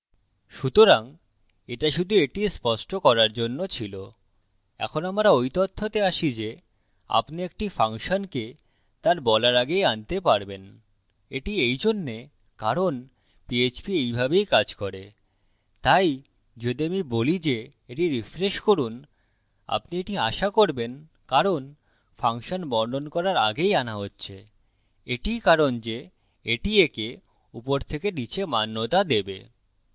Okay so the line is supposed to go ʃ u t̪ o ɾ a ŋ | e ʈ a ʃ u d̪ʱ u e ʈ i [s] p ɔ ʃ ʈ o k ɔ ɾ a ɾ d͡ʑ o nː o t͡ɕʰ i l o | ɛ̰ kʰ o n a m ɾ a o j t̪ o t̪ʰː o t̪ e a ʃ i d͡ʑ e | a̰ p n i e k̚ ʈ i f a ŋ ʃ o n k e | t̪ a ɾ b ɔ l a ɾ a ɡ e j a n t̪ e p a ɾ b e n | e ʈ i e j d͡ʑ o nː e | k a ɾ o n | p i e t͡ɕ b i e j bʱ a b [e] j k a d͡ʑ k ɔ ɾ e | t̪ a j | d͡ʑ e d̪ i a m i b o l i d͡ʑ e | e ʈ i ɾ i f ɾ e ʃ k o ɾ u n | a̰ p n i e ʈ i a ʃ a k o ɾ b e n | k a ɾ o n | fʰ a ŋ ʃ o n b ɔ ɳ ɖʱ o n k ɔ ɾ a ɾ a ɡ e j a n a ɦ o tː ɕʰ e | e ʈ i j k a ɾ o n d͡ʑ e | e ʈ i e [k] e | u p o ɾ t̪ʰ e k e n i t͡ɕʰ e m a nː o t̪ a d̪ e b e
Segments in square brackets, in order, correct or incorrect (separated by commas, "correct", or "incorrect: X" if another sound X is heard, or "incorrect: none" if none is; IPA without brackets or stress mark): correct, correct, correct